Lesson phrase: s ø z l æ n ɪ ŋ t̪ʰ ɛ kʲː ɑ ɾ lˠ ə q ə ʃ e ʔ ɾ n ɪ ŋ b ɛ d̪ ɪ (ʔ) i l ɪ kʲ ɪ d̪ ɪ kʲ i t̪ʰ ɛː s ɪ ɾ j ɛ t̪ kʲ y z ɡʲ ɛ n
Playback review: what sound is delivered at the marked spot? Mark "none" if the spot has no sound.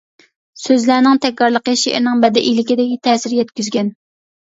ʔ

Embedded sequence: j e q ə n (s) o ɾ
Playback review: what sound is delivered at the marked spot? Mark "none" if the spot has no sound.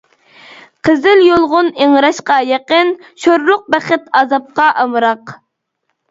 ʃ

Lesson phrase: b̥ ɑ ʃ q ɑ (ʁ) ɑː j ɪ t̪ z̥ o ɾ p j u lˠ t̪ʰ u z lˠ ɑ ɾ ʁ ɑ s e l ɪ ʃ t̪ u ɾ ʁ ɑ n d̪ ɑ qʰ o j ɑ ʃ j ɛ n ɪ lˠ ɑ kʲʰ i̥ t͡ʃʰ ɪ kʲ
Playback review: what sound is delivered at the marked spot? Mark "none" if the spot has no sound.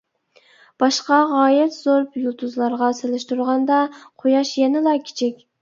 ʁ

